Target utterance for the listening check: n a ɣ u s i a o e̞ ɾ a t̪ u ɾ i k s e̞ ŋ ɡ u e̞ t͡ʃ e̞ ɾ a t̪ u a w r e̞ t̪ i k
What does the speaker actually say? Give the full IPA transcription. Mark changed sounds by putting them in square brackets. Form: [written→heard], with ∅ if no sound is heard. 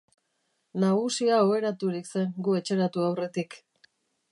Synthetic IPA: n a ɣ u s i a o e̞ ɾ a t̪ u ɾ i k s e̞ ŋ ɡ u e̞ t͡ʃ e̞ ɾ a t̪ u a w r e̞ t̪ i k